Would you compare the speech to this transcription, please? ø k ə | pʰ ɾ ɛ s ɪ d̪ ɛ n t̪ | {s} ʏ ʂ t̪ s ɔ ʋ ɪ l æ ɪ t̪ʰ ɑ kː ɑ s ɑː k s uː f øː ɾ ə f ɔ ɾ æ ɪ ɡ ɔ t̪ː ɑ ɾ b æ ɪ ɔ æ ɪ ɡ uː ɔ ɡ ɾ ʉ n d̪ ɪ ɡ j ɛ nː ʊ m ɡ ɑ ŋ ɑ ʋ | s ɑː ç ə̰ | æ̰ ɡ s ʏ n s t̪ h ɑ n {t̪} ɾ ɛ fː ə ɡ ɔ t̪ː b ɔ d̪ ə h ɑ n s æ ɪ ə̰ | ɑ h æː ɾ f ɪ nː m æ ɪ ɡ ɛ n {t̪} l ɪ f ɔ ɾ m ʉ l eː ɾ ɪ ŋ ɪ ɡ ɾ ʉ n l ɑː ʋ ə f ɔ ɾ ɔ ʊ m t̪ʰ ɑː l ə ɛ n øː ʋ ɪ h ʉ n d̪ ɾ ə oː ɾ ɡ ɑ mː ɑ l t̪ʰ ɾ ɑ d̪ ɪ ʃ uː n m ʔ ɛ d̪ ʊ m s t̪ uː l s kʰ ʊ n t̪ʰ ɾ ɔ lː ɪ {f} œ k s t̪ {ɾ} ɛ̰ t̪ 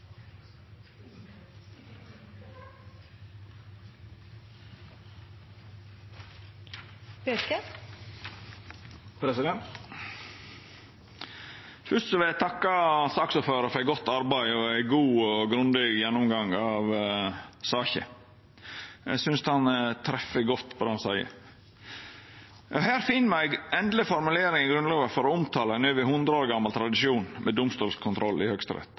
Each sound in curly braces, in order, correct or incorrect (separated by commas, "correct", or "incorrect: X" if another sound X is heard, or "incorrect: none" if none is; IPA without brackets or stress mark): incorrect: f, incorrect: t̪ʰ, incorrect: d̪, incorrect: h, correct